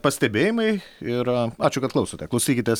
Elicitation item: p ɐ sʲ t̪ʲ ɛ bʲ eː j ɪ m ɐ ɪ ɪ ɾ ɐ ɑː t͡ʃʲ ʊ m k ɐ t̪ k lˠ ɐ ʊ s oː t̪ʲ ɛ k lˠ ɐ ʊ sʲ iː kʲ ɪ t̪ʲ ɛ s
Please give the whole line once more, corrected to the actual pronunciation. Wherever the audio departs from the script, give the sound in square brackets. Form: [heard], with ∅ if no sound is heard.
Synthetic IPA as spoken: p ɐ sʲ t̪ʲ ɛ bʲ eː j ɪ m ɐ ɪ ɪ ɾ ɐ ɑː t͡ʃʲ ʊ [∅] k ɐ t̪ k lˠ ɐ ʊ s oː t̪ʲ ɛ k lˠ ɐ ʊ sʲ iː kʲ ɪ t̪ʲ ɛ s